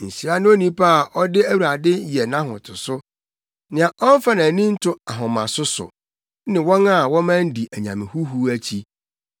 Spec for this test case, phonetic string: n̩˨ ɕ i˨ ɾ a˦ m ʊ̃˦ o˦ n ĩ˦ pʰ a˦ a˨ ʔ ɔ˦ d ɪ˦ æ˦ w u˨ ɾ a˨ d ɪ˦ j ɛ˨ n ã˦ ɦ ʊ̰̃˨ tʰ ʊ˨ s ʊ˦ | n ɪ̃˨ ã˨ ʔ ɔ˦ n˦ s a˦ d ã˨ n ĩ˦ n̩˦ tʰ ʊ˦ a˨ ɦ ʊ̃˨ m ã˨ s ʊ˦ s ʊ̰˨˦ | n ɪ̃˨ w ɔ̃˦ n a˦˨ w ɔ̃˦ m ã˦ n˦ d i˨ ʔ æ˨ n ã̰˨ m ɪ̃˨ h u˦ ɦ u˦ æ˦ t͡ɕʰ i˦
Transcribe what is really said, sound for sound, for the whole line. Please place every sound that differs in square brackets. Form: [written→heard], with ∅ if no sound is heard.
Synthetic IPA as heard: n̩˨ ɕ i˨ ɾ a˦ [m→n] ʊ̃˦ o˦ n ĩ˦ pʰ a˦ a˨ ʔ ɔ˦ d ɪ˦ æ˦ w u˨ ɾ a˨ d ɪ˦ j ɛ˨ n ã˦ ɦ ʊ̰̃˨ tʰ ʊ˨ s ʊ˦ | n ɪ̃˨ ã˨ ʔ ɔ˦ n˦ [s→f] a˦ [d→n] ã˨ n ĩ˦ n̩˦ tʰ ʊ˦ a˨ ɦ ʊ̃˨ m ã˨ s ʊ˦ s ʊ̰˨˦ | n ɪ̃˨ w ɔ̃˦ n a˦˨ w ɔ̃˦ m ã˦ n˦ d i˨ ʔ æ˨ [n→ɲ] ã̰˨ m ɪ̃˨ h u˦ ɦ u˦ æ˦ t͡ɕʰ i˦

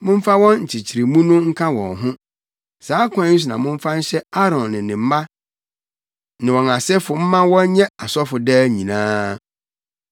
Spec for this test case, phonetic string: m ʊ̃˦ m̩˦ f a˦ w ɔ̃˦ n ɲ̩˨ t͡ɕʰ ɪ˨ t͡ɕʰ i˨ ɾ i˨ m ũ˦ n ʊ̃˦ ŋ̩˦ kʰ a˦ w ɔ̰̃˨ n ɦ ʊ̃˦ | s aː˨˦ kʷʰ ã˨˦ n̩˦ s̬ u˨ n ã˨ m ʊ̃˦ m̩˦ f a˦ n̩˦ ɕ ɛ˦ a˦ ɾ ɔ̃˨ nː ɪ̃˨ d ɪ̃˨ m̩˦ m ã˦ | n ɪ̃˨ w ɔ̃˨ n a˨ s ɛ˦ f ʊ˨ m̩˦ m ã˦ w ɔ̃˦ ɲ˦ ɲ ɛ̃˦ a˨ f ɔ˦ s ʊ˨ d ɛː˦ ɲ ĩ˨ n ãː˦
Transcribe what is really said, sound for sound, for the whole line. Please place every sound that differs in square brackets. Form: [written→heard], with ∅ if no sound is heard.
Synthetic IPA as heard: m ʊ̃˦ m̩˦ f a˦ w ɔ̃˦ n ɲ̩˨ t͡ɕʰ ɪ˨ t͡ɕʰ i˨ ɾ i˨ m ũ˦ n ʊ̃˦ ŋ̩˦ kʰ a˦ w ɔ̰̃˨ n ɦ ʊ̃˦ | s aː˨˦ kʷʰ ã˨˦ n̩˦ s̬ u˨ n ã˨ m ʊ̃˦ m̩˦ f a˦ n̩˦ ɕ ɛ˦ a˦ ɾ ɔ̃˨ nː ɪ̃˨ [d→n] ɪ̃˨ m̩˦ m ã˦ | n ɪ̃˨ w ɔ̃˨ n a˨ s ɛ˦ f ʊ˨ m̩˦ m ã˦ w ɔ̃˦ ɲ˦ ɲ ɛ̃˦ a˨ [f→s] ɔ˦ [s→f] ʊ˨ d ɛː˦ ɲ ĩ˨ n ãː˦

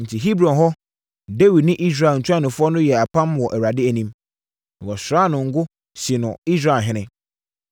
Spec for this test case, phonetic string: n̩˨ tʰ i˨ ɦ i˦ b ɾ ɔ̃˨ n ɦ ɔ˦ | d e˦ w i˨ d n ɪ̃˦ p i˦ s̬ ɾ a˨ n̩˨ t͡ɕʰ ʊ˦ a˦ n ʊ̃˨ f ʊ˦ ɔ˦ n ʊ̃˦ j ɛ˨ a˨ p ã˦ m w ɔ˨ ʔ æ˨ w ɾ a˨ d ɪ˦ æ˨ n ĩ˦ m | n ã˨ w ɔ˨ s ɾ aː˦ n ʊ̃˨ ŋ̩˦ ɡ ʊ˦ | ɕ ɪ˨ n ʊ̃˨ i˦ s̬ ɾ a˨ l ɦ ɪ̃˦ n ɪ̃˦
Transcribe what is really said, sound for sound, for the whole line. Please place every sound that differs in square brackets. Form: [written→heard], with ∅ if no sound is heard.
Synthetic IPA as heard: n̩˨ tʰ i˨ ɦ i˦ b ɾ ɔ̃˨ n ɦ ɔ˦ | d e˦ w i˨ d n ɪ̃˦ [p→ʔ] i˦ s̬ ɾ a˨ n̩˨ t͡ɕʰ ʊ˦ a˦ n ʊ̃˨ f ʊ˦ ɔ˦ n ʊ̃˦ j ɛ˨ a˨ p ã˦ m w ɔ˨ ʔ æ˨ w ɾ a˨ d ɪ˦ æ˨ n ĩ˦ m | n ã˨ w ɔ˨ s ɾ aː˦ n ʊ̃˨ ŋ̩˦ ɡ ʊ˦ | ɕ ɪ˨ n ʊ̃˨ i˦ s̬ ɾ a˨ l ɦ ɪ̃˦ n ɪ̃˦

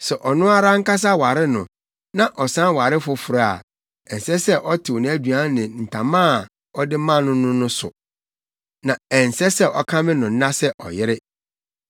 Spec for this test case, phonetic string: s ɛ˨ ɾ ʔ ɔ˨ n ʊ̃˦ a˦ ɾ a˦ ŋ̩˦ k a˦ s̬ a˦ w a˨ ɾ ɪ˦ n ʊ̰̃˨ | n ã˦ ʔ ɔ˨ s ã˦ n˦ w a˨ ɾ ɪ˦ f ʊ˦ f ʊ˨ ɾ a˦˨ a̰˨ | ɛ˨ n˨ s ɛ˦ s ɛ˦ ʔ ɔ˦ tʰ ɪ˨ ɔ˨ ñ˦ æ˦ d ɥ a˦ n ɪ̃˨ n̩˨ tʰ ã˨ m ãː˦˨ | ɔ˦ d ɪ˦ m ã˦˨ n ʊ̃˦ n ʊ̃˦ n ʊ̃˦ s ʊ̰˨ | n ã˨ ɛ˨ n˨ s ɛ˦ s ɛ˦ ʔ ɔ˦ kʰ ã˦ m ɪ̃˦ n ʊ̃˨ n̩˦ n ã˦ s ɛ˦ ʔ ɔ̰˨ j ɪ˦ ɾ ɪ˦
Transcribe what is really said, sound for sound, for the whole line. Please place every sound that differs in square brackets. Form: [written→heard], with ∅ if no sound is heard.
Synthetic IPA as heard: s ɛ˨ [ɾ→∅] ʔ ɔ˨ n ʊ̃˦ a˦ ɾ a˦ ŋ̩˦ k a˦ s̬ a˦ w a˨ ɾ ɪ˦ n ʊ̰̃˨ | n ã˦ ʔ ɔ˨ s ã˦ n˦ w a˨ ɾ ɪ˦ f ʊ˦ f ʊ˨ ɾ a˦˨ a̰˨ | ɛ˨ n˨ s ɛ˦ s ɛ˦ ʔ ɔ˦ tʰ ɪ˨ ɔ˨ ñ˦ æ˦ d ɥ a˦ n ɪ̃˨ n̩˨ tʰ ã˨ m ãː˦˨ | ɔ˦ d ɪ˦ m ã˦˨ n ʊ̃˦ n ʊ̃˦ n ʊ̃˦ s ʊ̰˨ | n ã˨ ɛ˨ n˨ s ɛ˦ s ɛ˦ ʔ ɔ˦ kʰ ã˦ m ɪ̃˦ n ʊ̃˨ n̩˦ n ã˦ s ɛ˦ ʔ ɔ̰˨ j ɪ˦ ɾ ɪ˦

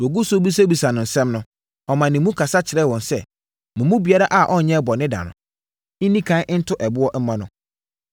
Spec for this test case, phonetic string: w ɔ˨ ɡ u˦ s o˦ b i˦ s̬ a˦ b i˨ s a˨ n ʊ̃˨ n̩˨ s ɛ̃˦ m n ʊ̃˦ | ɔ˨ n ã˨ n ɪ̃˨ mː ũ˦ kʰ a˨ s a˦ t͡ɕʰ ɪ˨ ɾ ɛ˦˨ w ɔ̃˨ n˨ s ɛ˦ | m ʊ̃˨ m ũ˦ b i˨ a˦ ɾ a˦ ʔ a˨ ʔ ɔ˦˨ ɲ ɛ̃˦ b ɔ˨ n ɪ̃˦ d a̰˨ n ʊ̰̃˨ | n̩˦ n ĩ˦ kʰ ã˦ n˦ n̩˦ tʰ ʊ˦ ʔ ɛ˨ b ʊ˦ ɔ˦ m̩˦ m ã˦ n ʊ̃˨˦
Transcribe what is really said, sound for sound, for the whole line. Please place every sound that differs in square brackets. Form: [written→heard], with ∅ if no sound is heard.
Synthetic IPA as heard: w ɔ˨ ɡ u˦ s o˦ b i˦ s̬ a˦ b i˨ s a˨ n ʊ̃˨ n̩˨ s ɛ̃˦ m n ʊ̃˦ | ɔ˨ [n→m] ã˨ n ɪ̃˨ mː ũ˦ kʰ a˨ s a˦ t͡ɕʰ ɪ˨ ɾ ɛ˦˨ w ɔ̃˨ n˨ s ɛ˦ | m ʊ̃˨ m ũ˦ b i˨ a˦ ɾ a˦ ʔ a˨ ʔ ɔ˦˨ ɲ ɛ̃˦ b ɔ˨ n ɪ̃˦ d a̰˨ n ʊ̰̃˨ | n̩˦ n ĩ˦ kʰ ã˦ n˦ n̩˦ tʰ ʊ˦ ʔ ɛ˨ b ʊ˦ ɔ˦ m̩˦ m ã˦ n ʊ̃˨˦

